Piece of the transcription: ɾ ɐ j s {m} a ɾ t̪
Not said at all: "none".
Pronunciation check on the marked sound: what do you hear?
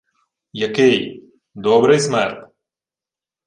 m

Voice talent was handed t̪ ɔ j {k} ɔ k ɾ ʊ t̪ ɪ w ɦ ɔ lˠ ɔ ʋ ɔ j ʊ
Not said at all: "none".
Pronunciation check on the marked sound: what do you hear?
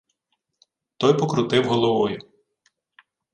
p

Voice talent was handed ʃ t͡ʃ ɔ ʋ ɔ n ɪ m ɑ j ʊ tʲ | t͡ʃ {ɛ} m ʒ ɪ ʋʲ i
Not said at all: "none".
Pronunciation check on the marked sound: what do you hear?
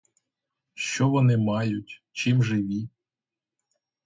i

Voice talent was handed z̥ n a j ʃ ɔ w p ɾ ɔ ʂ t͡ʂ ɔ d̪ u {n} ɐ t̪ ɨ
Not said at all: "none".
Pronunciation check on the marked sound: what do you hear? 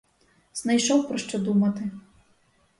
m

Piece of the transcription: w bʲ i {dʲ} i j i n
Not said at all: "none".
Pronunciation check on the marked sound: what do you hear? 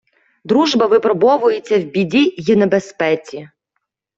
dʲ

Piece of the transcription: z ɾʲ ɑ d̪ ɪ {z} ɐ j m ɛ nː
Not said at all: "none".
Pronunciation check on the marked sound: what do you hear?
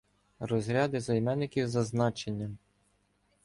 z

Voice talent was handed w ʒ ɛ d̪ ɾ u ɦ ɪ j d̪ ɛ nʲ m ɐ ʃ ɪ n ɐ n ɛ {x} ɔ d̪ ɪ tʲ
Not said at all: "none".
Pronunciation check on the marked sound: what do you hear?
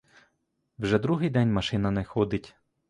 x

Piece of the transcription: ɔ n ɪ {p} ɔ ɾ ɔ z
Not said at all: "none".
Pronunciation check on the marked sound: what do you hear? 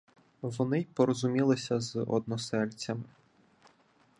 p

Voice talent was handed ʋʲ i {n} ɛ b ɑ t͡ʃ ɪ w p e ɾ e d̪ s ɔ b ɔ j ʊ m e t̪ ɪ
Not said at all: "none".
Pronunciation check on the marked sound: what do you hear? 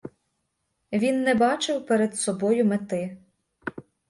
nː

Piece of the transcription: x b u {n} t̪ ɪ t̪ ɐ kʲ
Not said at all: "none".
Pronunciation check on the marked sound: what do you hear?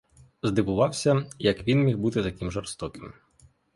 none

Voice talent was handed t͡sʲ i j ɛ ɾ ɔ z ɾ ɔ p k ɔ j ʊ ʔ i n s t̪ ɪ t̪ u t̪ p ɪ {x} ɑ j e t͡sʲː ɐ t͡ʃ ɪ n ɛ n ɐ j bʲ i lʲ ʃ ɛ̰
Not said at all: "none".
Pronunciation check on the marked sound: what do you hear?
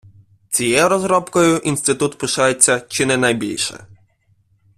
ʃ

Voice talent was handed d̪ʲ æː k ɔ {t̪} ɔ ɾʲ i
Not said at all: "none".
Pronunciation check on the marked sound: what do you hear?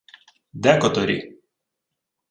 t̪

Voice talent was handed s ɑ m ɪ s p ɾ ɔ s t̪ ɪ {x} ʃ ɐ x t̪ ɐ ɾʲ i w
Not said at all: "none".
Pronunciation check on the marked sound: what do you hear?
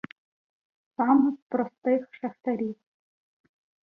x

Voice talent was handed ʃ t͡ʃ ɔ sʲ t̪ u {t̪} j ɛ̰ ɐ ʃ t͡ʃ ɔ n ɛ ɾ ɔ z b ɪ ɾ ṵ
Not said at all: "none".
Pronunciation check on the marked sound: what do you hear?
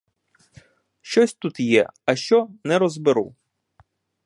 t̪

